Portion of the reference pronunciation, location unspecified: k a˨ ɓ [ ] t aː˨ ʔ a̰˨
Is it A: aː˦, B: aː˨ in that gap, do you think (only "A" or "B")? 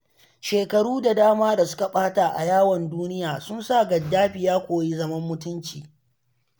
A